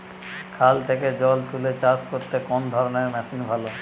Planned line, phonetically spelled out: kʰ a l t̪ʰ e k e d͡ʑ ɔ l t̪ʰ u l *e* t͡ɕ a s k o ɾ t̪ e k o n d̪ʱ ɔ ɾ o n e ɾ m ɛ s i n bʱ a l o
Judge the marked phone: correct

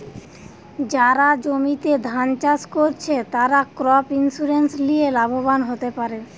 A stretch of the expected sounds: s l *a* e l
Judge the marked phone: incorrect: i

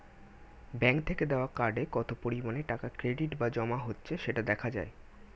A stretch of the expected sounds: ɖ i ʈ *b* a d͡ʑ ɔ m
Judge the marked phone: correct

